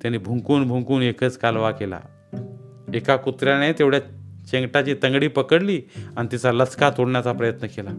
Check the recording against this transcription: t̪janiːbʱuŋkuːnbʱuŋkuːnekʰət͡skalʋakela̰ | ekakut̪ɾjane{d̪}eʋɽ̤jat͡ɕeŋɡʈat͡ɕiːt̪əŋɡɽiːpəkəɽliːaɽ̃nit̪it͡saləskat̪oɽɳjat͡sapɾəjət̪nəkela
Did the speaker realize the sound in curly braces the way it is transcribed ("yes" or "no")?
no